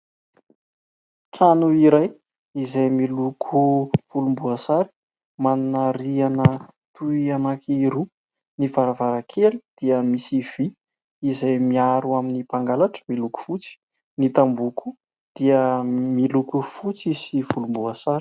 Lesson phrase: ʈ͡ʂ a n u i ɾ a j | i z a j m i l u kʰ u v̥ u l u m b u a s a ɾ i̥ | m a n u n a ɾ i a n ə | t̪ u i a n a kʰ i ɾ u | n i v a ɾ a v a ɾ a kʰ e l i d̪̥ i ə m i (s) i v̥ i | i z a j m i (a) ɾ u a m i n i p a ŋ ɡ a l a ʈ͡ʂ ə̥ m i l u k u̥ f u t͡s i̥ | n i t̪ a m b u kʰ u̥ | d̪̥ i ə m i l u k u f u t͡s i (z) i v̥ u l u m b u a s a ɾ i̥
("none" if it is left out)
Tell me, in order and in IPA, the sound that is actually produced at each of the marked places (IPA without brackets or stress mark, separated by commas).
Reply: s, a, s